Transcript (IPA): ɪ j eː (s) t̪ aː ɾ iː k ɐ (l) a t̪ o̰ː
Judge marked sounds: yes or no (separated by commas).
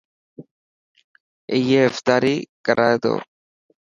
no, no